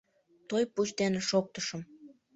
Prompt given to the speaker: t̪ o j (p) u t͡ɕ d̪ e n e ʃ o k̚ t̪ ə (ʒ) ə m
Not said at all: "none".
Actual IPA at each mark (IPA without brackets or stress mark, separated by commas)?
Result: p, ʃ